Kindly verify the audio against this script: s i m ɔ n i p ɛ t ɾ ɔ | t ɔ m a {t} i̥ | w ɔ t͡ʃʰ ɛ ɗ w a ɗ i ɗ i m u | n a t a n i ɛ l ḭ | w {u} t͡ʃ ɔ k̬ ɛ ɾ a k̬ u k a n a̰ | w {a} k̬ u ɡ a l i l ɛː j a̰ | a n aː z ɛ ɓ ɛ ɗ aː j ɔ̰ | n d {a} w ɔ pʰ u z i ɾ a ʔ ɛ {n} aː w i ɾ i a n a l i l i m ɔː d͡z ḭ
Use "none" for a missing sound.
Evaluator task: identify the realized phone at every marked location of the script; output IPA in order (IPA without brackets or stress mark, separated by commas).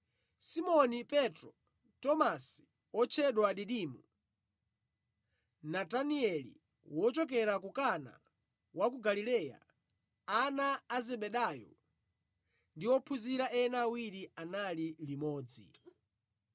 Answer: s, ɔ, a, i, n